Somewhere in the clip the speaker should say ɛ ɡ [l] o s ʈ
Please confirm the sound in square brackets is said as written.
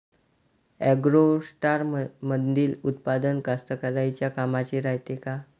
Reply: no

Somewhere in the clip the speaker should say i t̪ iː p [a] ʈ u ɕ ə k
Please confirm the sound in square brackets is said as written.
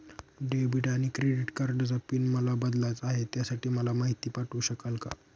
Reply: yes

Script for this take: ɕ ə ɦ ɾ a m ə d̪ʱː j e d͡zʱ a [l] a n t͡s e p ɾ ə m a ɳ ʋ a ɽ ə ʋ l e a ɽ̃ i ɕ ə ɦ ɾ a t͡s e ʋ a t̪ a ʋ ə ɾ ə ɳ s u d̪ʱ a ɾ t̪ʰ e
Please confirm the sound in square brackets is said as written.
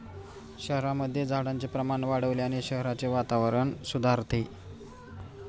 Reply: no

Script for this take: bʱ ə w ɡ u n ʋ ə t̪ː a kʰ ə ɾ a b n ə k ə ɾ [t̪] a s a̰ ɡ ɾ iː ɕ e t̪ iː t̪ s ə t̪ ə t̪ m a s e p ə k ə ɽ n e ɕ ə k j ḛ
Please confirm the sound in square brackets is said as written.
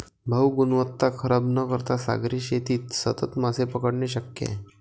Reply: yes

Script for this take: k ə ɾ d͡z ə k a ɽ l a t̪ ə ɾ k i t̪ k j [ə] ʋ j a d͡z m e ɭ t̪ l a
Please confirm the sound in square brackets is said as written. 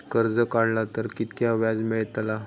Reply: no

